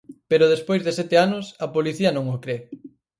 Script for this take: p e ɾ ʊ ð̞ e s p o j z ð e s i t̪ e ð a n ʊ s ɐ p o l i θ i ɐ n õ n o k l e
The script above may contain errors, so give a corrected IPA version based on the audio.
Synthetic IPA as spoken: p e ɾ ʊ ð̞ e s p o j z ð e s ɛ t̪ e a n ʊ s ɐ p o l i θ i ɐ n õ ŋ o k ɾ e